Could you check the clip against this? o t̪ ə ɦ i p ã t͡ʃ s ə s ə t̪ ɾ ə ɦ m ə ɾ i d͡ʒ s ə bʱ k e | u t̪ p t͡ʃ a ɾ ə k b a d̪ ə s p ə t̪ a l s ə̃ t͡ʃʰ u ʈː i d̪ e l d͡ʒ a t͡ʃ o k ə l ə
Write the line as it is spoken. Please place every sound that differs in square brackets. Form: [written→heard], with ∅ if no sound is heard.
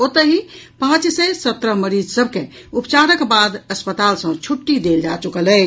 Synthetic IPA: o t̪ ə ɦ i p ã t͡ʃ s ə s ə t̪ ɾ ə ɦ m ə ɾ i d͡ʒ s ə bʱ k e | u [t̪→∅] p t͡ʃ a ɾ ə k b a d̪ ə s p ə t̪ a l s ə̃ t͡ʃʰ u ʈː i d̪ e l d͡ʒ a t͡ʃ [o→u] k ə l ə